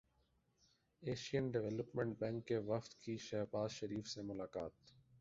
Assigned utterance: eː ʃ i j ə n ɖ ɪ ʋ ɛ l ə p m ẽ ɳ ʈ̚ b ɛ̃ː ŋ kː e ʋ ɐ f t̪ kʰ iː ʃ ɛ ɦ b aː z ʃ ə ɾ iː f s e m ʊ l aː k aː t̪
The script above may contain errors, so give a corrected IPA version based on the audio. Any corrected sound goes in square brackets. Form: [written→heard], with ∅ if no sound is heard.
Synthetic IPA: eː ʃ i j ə n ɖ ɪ ʋ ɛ l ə p m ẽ ɳ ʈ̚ b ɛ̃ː ŋ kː e ʋ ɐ f t̪ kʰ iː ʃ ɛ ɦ b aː z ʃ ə ɾ iː f s e m ʊ l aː k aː t̪